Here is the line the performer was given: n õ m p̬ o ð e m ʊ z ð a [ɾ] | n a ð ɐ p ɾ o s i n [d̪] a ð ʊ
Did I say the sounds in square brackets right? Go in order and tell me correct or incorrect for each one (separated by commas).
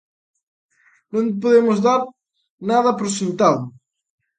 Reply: correct, incorrect